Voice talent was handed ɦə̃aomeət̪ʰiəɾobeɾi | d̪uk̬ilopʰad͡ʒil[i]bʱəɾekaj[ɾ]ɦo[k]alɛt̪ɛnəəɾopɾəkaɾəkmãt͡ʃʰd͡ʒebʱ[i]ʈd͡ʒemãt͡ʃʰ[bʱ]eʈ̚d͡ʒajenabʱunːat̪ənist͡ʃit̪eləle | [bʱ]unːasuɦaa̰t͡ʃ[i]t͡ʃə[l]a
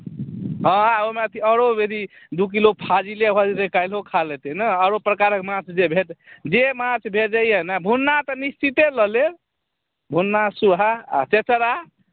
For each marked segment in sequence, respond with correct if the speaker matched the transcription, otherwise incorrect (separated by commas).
incorrect, incorrect, incorrect, incorrect, correct, correct, incorrect, incorrect